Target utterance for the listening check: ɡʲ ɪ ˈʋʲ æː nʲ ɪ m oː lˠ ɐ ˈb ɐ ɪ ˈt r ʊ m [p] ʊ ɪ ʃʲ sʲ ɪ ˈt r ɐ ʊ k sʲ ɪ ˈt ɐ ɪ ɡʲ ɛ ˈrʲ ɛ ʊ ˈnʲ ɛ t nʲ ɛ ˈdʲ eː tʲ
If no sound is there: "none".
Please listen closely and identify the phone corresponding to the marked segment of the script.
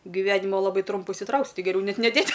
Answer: p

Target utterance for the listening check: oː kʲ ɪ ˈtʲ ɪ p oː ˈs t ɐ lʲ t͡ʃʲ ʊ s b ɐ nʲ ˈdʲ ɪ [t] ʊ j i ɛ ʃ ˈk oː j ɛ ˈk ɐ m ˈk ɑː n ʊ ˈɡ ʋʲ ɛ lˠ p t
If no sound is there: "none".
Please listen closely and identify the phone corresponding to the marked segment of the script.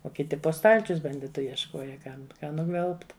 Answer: t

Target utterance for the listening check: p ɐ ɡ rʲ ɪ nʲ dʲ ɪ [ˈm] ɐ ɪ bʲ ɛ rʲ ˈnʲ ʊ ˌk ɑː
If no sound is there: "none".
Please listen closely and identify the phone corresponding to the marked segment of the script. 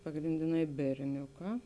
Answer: n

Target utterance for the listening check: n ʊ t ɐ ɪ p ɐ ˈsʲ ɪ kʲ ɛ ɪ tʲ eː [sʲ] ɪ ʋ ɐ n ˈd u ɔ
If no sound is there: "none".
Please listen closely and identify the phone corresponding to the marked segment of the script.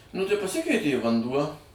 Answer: none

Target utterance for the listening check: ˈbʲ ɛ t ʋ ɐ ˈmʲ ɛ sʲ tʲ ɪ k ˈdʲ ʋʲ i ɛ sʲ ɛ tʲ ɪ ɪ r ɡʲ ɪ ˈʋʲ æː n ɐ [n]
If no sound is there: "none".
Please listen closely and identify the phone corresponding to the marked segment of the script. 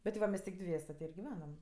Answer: m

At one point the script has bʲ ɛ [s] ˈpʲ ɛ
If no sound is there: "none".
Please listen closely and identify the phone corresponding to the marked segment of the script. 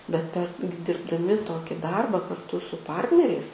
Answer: t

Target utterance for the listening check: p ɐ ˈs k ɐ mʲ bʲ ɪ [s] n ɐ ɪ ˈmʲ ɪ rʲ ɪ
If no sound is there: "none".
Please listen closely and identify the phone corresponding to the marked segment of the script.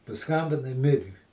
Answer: none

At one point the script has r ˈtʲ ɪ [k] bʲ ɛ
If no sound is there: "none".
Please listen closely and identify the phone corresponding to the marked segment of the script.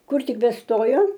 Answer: k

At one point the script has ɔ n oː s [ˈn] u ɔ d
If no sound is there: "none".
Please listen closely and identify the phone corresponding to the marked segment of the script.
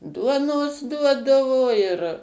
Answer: d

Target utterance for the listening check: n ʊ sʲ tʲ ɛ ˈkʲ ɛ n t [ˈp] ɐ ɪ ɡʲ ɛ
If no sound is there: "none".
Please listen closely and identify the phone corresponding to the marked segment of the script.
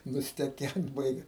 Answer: b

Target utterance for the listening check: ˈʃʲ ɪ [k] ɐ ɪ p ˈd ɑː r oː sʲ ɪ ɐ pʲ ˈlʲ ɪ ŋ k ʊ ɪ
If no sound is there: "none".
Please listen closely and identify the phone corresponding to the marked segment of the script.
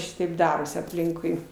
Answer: t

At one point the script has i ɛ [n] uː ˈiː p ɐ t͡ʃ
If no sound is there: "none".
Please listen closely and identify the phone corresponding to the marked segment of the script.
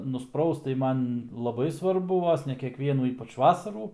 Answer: n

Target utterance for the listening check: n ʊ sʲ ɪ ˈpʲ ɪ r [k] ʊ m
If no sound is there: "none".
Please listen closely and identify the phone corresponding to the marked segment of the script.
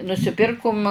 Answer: k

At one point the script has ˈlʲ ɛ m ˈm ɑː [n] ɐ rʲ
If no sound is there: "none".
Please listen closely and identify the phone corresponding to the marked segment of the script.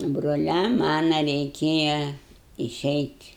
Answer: n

